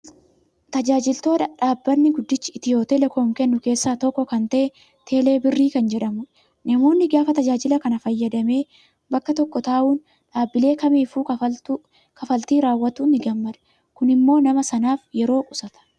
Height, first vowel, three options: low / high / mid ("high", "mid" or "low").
low